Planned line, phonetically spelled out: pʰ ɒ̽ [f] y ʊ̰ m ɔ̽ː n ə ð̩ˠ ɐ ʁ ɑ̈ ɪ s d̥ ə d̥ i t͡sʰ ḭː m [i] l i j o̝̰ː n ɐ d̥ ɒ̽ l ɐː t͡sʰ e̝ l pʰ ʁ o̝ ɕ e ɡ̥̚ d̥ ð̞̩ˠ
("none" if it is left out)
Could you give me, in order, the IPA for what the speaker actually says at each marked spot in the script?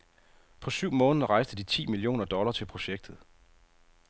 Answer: s, i

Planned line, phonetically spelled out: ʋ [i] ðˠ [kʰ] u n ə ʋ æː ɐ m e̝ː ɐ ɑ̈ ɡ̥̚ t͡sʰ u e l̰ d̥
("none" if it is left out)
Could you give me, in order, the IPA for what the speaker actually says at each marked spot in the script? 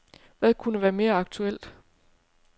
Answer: æ, kʰ

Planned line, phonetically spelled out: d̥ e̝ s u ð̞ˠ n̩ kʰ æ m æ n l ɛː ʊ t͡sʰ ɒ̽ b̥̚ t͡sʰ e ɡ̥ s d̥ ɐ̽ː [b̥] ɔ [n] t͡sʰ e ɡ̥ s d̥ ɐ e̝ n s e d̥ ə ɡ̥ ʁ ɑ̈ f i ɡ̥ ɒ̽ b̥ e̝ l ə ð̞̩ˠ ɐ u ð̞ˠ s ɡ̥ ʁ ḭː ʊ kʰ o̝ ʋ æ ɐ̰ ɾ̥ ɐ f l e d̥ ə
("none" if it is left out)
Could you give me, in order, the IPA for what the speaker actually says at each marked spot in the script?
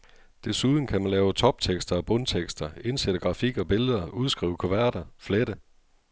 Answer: b̥, n

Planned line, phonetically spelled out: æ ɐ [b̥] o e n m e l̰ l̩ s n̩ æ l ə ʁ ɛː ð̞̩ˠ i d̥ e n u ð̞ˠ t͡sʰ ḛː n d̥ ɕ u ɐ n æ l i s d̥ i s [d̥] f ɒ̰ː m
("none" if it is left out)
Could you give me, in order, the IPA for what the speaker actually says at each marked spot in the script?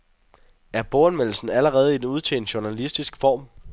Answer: b̥, ɡ̥

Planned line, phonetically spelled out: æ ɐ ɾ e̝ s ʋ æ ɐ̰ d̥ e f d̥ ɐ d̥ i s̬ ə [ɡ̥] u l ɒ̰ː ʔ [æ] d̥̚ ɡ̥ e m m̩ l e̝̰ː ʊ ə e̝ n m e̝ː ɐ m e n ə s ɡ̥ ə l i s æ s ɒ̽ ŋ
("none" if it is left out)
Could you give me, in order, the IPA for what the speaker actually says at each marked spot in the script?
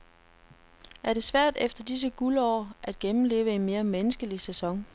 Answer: ɡ̥, æ

